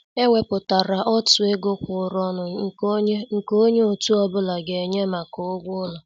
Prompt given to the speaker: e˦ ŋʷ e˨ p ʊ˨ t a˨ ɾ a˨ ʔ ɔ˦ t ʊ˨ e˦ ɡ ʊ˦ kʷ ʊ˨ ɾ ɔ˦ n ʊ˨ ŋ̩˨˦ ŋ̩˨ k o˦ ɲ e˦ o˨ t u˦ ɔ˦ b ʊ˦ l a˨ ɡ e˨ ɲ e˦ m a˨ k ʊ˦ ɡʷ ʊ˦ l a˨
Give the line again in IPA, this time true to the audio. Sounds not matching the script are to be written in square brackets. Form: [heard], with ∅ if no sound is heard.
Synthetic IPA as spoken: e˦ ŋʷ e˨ p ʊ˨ t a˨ ɾ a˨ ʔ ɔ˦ t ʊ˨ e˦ ɡ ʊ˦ kʷ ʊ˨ ɾ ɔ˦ n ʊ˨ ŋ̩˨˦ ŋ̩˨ k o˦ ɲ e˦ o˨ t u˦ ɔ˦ b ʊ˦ l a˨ ɡ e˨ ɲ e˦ m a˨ k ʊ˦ ɡʷ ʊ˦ l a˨